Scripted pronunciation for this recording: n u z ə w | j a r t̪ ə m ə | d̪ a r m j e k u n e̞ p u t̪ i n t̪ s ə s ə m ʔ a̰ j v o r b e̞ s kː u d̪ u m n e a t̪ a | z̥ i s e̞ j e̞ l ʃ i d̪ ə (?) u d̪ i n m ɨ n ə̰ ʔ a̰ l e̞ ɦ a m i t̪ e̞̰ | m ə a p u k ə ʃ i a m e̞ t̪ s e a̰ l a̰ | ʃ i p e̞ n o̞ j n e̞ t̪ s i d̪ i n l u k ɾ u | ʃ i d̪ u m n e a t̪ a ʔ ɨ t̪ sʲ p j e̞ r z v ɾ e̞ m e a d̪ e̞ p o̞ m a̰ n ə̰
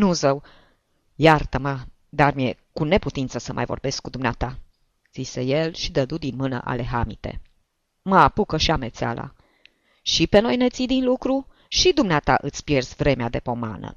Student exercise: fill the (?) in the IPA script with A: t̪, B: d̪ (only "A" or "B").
B